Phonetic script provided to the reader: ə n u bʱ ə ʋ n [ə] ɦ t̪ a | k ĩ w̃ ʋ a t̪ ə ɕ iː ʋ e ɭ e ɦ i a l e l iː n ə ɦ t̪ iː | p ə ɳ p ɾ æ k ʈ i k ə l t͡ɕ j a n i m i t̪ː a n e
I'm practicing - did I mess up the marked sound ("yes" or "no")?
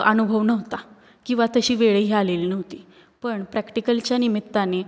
no